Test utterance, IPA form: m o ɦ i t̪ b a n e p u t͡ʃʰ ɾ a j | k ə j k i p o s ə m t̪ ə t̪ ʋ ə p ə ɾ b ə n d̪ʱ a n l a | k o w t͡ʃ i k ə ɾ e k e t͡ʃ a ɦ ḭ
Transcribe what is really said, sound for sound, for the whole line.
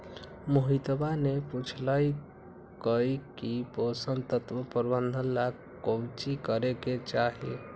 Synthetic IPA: m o ɦ i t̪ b a n e p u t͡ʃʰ l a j | k ə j k i p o s ə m t̪ ə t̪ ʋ ə p ə ɾ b ə n d̪ʱ ə n l a | k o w t͡ʃ i k ə ɾ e k e t͡ʃ a ɦ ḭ

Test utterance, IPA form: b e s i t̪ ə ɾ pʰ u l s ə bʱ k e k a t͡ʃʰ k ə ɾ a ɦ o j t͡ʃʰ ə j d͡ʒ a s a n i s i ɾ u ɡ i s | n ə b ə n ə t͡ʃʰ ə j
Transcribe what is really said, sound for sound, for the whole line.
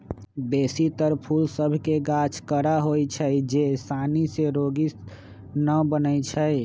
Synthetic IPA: b e s i t̪ ə ɾ pʰ u l s ə bʱ k e ɡ a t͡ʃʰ k ə ɾ a ɦ o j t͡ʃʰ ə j d͡ʒ e s a n i s e ɾ o ɡ i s | n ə b ə n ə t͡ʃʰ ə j

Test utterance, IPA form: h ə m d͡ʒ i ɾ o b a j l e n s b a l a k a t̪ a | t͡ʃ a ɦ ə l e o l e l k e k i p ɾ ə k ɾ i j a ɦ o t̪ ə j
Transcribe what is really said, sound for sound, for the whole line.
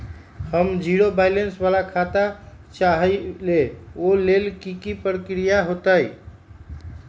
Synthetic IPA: h ə m d͡ʒ i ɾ o b a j l e n s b a l a kʰ a t̪ a | t͡ʃ a ɦ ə l e o l e l k i k i p ɾ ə k ɾ i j a ɦ o t̪ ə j

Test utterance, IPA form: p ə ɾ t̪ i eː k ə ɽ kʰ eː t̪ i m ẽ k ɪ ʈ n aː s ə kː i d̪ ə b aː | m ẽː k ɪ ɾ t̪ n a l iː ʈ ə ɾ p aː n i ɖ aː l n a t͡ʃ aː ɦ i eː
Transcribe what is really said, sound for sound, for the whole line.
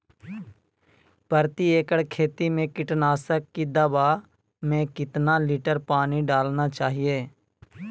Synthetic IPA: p ə ɾ t̪ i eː k ə ɽ kʰ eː t̪ i m ẽ k ɪ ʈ n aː s ə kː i d̪ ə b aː | m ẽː k ɪ t̪ n a l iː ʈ ə ɾ p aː n i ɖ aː l n a t͡ʃ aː ɦ i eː

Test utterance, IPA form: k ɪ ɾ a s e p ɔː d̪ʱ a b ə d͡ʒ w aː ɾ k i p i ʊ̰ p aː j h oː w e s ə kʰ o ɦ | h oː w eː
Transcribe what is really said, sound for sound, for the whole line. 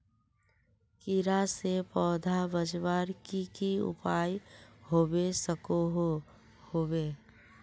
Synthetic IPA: k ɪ ɾ a s e p ɔː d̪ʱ a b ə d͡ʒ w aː ɾ k i k i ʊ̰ p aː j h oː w e s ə k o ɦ | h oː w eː

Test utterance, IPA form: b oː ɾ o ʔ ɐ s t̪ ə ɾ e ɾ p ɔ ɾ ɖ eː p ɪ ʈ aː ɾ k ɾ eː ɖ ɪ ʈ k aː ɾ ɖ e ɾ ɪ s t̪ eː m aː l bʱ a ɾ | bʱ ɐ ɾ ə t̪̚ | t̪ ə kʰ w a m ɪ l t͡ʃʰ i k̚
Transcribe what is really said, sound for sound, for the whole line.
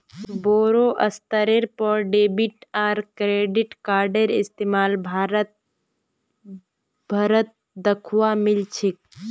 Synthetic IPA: b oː ɾ o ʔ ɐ s t̪ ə ɾ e ɾ p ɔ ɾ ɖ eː b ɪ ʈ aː ɾ k ɾ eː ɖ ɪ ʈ k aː ɾ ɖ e ɾ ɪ s t̪ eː m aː l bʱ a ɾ | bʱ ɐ ɾ ə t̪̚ | d̪ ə kʰ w a m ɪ l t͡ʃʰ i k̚

